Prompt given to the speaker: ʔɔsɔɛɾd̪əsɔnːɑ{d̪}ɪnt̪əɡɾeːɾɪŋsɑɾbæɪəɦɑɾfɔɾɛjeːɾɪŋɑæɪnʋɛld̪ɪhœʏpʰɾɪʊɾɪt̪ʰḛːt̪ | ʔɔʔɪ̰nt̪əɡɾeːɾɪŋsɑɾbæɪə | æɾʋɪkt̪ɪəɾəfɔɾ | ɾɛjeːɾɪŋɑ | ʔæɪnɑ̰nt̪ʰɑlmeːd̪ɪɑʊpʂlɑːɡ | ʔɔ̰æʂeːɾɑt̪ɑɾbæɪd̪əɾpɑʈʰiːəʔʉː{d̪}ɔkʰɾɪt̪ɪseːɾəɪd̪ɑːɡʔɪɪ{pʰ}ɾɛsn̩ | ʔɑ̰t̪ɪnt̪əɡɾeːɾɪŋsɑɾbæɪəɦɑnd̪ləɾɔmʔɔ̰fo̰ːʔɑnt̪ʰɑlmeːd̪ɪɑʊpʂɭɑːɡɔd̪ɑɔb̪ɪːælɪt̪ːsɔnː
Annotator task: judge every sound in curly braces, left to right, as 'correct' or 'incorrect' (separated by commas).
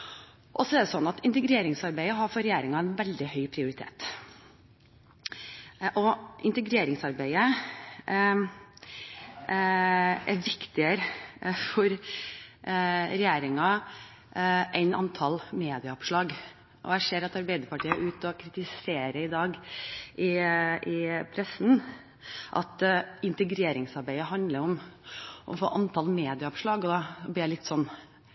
incorrect, incorrect, correct